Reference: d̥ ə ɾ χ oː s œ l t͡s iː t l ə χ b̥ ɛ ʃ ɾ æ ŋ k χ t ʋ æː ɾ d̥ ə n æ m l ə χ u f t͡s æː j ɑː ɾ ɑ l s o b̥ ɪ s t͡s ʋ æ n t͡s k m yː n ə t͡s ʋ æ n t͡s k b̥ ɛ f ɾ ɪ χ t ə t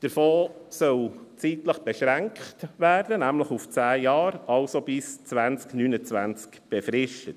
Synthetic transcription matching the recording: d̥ ə ɾ f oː s œ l t͡s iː t l ə χ b̥ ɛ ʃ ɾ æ ŋ k χ t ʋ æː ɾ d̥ ə n æ m l ə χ u f t͡s æː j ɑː ɾ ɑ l s o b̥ ɪ s t͡s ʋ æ n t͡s k n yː n ə t͡s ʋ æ n t͡s k b̥ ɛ f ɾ ɪ ʃ t ə t